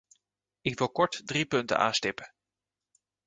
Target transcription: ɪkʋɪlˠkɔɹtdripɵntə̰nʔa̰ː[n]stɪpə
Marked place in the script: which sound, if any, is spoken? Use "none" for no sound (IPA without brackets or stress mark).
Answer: n